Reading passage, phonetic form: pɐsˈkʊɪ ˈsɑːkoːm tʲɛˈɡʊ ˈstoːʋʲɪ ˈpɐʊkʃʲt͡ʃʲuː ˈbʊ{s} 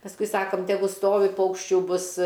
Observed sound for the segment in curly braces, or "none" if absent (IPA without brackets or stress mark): s